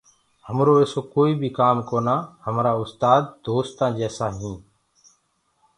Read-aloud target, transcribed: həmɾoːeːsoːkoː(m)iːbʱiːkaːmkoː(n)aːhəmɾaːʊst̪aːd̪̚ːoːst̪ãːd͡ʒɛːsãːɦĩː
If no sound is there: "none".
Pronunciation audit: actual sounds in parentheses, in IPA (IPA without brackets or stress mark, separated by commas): none, n